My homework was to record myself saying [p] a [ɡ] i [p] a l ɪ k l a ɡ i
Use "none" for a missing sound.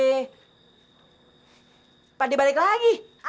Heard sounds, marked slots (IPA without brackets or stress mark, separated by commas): p, d, b